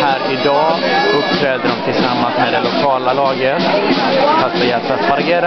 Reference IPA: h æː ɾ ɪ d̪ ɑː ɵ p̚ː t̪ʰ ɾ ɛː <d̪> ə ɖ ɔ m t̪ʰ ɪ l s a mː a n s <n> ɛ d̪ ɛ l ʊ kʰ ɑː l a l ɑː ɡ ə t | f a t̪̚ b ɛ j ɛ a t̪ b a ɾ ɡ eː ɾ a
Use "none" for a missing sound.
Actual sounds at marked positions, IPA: d̪, m

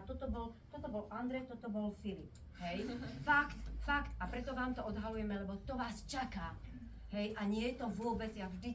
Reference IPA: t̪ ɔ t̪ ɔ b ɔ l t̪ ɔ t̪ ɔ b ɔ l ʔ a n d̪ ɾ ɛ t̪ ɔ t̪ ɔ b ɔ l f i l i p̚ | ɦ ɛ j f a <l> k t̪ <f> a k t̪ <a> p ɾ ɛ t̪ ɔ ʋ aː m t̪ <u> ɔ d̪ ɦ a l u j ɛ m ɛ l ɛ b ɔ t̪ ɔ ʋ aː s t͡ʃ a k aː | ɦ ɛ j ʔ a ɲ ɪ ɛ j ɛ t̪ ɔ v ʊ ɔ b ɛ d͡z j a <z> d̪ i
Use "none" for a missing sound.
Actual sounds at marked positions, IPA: none, f, a, ɔ, ʒ

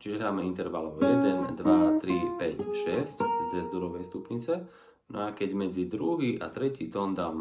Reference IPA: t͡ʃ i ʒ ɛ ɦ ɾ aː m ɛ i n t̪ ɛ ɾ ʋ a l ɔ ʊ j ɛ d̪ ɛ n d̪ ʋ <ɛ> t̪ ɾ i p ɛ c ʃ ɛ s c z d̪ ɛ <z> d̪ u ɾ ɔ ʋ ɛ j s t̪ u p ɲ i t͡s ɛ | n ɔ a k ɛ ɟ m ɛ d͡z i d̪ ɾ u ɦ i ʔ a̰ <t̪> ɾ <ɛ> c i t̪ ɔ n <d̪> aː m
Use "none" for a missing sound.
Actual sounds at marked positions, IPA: a, z, t̪, ɛ, d̪

